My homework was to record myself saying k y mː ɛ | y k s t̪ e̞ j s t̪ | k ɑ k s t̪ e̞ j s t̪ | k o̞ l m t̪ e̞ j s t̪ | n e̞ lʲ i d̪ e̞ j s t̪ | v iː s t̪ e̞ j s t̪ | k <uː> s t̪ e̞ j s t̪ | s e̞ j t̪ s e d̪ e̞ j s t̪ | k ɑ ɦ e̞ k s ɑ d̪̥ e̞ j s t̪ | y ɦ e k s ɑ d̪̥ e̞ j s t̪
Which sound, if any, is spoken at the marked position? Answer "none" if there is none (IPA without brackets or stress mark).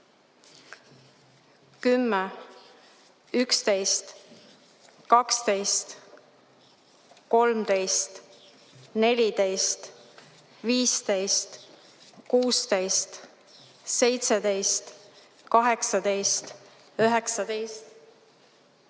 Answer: uː